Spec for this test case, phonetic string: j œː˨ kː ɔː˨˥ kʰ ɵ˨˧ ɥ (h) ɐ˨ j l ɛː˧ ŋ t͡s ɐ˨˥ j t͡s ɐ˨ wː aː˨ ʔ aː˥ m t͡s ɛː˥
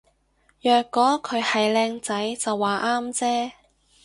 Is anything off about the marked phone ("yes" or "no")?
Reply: no